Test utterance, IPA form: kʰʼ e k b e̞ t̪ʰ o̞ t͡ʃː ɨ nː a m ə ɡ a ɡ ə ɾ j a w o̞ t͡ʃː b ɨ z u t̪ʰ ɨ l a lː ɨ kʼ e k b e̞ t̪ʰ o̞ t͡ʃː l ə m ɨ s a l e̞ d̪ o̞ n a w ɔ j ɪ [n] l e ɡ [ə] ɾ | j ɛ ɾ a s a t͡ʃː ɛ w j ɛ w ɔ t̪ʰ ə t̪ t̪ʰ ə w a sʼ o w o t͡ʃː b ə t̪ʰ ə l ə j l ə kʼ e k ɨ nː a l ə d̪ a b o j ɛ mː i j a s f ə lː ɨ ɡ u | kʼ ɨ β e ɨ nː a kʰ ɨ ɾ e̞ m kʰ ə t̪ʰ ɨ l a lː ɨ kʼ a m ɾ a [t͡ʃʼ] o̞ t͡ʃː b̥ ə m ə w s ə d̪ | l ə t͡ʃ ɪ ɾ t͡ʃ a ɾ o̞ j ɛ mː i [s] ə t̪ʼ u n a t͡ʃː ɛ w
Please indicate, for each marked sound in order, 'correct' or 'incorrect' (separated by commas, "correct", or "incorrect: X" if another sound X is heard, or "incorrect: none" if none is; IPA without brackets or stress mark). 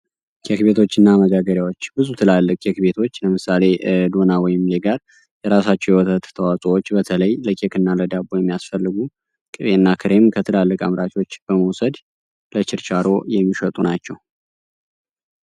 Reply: incorrect: m, incorrect: a, incorrect: t͡ʃ, incorrect: ʃ